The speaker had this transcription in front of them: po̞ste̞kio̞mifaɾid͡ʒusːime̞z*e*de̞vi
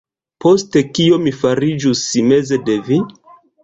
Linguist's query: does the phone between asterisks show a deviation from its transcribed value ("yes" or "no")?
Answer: no